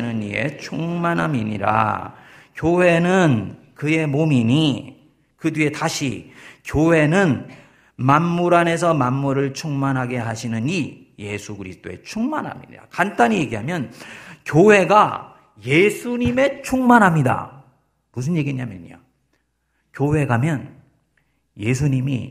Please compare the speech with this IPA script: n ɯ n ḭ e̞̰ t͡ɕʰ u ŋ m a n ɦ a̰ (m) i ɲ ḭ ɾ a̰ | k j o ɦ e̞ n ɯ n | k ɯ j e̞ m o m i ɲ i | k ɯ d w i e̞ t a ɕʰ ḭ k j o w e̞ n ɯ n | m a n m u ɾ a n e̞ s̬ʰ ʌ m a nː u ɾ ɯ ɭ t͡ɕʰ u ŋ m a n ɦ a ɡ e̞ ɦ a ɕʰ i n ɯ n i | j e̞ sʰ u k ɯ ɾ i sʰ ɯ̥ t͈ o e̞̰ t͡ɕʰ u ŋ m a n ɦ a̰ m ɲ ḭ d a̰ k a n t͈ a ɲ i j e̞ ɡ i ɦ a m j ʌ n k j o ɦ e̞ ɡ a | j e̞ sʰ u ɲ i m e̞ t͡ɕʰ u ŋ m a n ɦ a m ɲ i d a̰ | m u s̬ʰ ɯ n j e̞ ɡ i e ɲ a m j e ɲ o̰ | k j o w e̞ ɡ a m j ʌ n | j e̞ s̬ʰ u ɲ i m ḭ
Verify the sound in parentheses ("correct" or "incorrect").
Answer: correct